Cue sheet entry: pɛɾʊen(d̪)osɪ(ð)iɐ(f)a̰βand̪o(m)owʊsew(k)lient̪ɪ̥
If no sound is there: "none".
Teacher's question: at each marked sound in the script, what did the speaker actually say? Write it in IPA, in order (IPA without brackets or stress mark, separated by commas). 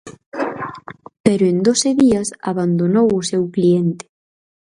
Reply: d̪, ð, s, n, k